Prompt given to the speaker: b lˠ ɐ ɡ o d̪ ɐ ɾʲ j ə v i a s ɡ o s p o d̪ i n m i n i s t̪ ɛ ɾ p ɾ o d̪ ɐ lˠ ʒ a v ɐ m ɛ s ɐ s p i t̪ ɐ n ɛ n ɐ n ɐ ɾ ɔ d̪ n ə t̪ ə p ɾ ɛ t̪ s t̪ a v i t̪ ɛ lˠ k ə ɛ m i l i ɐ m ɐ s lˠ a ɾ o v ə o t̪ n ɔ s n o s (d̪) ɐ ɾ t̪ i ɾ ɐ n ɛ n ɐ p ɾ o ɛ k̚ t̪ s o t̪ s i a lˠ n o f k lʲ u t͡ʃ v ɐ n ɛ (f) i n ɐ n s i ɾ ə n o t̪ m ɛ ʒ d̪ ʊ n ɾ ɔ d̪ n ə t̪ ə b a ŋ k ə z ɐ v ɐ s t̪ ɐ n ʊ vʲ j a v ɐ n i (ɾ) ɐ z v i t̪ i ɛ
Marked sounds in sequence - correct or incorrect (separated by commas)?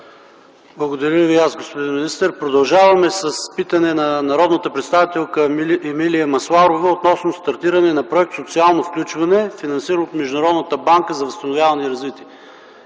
incorrect, correct, correct